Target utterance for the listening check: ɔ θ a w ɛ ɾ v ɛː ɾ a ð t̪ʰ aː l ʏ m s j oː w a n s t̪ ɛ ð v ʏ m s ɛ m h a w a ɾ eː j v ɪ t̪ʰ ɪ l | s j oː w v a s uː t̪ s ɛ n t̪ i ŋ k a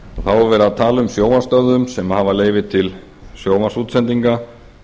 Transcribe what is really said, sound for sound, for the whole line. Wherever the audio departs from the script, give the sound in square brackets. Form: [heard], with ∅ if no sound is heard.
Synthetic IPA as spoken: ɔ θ a w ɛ ɾ v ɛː ɾ a ð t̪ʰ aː l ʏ m s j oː w a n s t̪ [œ] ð [ð] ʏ m s ɛ m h a [v] a [l] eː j v ɪ t̪ʰ ɪ l | s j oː w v a s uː t̪ s ɛ n t̪ i ŋ k a